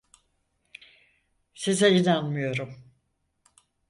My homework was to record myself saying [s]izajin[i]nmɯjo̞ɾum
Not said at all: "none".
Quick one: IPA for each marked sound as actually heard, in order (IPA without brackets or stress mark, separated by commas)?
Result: s, a